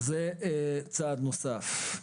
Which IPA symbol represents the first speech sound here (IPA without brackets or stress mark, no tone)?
z